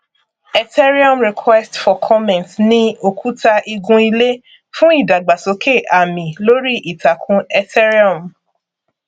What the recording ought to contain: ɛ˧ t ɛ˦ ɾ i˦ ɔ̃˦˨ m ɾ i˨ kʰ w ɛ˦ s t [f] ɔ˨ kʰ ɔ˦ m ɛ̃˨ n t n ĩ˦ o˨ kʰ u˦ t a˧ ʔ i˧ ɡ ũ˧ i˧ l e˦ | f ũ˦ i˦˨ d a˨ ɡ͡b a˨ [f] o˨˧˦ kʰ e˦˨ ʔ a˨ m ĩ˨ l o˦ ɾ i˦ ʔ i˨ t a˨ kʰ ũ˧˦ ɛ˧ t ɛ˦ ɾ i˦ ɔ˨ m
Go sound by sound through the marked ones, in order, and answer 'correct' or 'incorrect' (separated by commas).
correct, incorrect